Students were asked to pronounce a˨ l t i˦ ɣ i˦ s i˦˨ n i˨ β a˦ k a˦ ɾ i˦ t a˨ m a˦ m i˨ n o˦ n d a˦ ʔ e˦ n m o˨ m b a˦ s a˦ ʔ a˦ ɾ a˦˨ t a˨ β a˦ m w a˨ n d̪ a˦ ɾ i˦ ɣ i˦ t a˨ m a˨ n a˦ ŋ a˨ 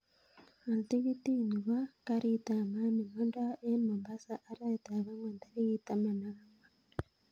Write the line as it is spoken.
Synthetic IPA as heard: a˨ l t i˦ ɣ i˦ t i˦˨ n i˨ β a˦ k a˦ ɾ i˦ t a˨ m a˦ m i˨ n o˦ n d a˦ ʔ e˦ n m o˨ m b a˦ s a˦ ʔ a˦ ɾ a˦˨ t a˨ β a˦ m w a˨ n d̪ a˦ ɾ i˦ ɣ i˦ t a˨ m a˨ n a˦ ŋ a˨

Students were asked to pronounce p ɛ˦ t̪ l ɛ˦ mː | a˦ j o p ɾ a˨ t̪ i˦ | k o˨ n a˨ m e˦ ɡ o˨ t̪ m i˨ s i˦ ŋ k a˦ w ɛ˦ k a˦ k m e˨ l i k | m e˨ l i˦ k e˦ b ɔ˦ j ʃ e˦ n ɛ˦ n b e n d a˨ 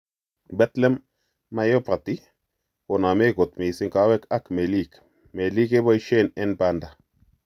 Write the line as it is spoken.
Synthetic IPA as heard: b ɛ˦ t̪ l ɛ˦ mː | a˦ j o p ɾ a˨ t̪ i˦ | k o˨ n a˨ m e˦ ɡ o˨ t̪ m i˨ s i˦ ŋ k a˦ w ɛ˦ k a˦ k m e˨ l i k | m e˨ l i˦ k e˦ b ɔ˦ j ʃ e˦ n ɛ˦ n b a n d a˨

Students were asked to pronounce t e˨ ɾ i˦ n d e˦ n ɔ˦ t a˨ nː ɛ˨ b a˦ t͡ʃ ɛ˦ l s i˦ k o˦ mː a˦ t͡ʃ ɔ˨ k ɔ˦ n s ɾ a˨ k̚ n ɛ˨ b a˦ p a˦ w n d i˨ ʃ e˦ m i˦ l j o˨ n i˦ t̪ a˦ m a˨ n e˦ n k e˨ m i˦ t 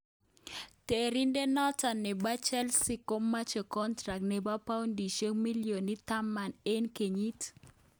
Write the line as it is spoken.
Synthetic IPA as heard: t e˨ ɾ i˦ n d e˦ n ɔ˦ t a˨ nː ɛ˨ b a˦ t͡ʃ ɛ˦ l s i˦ k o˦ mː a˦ t͡ʃ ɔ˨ k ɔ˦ n t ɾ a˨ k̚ n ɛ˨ b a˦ p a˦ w n d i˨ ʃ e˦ m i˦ l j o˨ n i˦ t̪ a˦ m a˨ n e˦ n k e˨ ɲ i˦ t

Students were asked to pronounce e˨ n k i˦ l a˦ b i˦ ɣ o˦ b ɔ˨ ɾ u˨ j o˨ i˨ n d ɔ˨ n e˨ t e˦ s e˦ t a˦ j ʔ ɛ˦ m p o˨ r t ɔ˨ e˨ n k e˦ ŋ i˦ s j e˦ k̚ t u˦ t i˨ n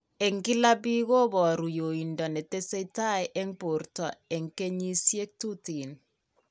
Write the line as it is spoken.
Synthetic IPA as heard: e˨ ŋ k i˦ l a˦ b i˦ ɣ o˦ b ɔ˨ ɾ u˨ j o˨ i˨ n d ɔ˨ n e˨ t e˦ s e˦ t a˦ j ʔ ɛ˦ ŋ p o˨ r t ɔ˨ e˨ ŋ k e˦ ɲ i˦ s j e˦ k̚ t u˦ t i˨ n

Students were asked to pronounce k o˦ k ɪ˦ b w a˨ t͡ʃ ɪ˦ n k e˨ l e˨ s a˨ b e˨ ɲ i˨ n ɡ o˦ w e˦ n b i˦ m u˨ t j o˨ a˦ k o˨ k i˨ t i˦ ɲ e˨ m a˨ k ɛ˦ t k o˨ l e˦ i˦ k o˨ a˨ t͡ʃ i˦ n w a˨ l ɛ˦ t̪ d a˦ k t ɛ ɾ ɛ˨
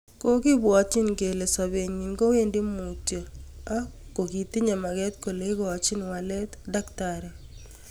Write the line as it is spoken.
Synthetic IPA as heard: k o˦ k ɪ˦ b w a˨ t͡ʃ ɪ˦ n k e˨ l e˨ s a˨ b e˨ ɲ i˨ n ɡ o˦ w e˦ n d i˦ m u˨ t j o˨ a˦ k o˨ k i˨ t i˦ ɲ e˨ m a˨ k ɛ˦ t k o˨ l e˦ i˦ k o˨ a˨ t͡ʃ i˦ n w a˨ l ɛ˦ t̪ d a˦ k t a ɾ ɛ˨

